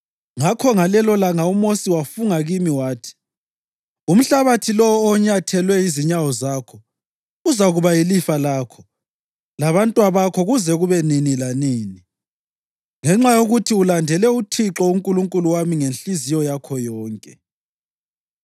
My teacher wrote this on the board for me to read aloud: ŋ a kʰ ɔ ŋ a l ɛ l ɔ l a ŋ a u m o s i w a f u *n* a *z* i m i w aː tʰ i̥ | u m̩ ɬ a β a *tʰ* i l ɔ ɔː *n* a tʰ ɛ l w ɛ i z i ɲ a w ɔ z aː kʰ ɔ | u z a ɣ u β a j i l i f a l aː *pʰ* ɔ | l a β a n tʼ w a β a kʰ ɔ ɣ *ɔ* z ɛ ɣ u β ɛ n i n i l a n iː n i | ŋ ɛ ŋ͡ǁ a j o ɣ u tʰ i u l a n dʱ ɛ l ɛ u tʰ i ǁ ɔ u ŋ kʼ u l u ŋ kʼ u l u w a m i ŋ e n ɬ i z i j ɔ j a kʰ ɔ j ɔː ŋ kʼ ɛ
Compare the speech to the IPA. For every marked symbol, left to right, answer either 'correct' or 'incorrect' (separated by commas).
incorrect, incorrect, correct, incorrect, incorrect, incorrect